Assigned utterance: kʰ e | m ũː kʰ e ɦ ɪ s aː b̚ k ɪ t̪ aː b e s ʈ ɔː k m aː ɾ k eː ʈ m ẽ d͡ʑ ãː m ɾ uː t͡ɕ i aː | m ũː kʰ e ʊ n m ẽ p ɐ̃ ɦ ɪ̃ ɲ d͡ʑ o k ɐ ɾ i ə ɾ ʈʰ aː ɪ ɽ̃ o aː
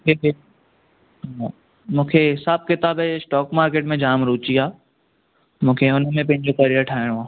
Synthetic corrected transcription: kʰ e | m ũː kʰ e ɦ ɪ s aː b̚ k ɪ t̪ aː b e s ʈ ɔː k m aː ɾ k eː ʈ m ẽ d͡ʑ aː m ɾ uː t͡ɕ i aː | m ũː kʰ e ʊ n m ẽ p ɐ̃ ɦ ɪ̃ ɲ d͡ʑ o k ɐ ɾ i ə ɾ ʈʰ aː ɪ ɽ̃ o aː